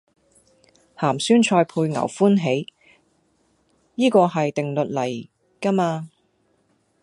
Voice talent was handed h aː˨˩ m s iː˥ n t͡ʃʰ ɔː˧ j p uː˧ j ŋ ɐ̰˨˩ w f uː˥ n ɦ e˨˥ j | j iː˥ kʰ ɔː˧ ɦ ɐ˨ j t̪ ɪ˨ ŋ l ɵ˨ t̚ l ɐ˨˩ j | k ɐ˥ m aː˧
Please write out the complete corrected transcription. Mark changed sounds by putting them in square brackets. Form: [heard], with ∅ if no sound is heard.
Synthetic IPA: h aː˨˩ m s [yː˥] n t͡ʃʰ ɔː˧ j [pʰ] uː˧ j ŋ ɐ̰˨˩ w f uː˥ n ɦ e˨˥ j | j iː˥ [k] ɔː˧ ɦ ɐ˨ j t̪ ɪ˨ ŋ l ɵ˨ t̚ l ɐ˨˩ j | k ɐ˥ m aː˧